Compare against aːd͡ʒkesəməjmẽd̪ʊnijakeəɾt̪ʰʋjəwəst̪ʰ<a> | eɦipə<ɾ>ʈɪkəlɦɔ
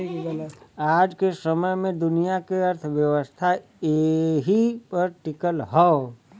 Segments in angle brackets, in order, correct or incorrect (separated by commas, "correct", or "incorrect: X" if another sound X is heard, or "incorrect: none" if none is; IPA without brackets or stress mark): correct, correct